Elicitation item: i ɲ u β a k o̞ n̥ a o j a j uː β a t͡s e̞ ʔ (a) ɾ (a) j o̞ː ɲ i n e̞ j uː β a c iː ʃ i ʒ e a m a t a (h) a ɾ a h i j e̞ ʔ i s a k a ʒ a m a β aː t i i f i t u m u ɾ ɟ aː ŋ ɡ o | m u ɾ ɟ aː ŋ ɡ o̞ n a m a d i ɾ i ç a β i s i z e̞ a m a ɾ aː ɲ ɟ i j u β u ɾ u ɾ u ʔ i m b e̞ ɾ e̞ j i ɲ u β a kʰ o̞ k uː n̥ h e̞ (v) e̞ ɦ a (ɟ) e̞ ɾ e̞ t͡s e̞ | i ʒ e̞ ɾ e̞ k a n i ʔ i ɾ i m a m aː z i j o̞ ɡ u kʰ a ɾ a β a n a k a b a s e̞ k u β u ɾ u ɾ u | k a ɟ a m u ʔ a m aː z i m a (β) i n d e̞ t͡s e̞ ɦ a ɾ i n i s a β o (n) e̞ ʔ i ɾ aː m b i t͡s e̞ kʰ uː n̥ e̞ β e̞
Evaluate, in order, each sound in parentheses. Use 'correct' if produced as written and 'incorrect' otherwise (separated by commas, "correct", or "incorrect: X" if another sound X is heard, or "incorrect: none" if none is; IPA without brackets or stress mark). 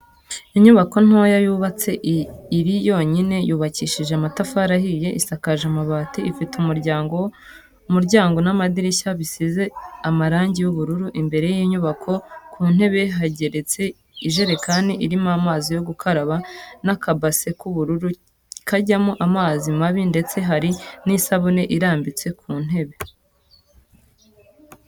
incorrect: i, incorrect: i, incorrect: f, incorrect: β, correct, correct, correct